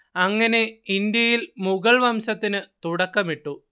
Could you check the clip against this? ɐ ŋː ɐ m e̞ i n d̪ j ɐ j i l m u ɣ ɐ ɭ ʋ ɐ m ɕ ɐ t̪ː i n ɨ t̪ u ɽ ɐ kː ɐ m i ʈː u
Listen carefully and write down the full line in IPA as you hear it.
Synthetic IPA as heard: ɐ ŋː ɐ n e̞ i n d̪ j ɐ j i l m u ɣ ɐ ɭ ʋ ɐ m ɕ ɐ t̪ː i n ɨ t̪ u ɽ ɐ kː ɐ m i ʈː u

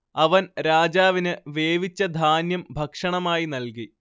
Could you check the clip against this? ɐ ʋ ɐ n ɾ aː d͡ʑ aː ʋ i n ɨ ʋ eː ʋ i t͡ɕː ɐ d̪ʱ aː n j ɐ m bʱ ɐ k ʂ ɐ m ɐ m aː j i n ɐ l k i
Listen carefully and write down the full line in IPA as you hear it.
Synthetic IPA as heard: ɐ ʋ ɐ n ɾ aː d͡ʑ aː ʋ i n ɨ ʋ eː ʋ i t͡ɕː ɐ d̪ʱ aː n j ɐ m bʱ ɐ k ʂ ɐ ɳ ɐ m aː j i n ɐ l k i

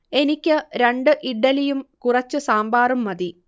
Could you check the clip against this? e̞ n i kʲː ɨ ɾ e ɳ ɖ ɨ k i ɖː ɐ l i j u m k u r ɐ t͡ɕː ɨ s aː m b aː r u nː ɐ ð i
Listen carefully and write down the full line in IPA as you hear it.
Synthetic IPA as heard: e̞ n i kʲː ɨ ɾ e ɳ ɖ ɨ ʔ i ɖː ɐ l i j u m k u r ɐ t͡ɕː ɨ s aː m b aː r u mː ɐ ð i

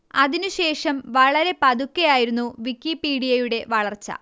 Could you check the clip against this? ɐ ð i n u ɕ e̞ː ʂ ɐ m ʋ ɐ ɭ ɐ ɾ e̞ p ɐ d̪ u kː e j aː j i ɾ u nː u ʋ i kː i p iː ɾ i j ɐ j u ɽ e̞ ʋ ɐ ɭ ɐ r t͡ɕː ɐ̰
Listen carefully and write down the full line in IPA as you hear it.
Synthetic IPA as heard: ɐ ð i n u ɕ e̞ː ʂ ɐ m ʋ ɐ ɭ ɐ ɾ e̞ p ɐ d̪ u kː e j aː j i ɾ u nː u ʋ i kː i p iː ɽ i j ɐ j u ɽ e̞ ʋ ɐ ɭ ɐ r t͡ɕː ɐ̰

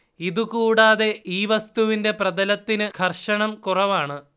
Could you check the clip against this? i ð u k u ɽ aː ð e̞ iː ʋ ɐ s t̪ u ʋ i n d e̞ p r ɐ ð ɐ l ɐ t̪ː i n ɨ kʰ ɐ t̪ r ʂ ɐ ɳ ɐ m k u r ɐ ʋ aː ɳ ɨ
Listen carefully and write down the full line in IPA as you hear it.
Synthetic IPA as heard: i ð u k uː ɽ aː ð e̞ iː ʋ ɐ s t̪ u ʋ i n d e̞ p r ɐ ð ɐ l ɐ t̪ː i n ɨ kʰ ɐ r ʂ ɐ ɳ ɐ m k u r ɐ ʋ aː ɳ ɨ

